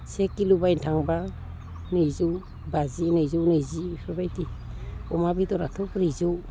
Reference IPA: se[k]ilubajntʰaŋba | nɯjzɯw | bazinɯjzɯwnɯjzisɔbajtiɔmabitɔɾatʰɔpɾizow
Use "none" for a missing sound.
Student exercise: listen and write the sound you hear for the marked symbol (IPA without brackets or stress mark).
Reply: k